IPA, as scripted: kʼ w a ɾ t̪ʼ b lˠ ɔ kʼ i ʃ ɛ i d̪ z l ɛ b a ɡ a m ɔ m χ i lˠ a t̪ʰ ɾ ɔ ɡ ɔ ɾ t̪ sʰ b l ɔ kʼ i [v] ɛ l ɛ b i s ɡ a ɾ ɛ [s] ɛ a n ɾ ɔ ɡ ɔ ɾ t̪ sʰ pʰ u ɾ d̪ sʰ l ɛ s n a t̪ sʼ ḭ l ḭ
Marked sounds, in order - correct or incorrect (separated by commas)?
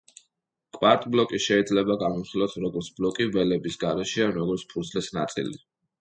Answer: correct, incorrect